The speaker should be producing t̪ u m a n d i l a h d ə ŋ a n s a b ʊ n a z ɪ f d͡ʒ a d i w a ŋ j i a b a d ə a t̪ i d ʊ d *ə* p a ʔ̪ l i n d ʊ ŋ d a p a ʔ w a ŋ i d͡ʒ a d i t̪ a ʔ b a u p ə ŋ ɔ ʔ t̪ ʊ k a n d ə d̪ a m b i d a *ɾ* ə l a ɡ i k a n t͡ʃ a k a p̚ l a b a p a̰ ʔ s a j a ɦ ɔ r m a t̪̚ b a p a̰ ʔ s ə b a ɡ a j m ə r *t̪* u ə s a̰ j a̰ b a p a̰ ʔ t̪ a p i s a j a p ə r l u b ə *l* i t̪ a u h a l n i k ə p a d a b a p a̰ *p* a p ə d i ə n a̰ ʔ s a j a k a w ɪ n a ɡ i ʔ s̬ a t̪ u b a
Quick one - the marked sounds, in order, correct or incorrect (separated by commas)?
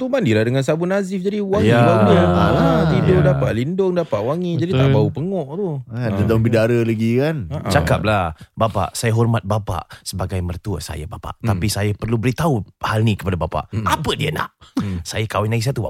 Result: incorrect, correct, correct, incorrect, incorrect